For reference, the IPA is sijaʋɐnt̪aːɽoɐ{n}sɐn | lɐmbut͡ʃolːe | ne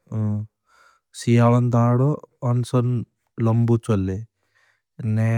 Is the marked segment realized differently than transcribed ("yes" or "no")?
no